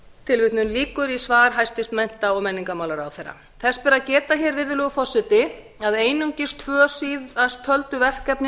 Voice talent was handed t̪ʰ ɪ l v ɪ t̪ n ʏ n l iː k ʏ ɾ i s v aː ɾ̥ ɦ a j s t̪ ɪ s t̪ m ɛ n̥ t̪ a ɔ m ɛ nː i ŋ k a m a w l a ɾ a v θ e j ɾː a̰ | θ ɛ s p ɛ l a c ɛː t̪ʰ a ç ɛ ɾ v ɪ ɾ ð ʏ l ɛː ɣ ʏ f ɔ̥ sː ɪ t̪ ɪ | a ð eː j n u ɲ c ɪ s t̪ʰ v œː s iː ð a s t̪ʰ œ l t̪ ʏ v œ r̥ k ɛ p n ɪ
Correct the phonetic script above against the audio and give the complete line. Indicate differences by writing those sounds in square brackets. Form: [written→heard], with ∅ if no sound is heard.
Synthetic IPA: t̪ʰ ɪ l v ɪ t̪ n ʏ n l iː k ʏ ɾ i s v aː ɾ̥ ɦ a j s t̪ ɪ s t̪ m ɛ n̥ t̪ a ɔ m ɛ nː i ŋ k a m a w l a ɾ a [v→w] θ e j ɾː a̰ | θ ɛ s p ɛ [l→ɾ] a c ɛː [t̪ʰ→t̪] a ç ɛ ɾ v ɪ ɾ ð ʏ l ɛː ɣ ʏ f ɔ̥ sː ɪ t̪ ɪ | a ð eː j n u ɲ c ɪ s t̪ʰ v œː s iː ð a s t̪ʰ œ l t̪ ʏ v [œ→ɛ] r̥ k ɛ p n ɪ